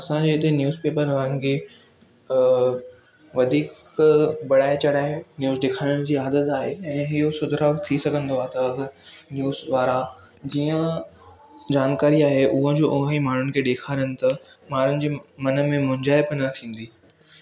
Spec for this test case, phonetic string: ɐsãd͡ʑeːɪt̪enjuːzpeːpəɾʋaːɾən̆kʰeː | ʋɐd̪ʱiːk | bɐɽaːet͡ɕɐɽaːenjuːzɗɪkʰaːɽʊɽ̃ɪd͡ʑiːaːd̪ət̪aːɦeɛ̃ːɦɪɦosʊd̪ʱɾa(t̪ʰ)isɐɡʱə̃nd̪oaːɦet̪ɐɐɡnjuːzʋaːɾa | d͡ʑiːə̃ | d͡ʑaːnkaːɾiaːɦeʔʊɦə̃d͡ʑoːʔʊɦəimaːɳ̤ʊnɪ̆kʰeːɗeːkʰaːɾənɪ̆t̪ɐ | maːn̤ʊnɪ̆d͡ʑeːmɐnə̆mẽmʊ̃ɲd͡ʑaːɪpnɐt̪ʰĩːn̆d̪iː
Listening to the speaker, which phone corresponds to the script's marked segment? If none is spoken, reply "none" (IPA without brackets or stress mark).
t̪ʰ